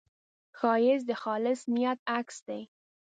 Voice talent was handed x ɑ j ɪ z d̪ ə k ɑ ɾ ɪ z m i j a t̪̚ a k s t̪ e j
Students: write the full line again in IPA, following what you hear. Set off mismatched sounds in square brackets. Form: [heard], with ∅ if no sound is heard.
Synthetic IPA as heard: x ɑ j ɪ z d̪ ə [x] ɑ [l] ɪ [s] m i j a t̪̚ a k s [d̪] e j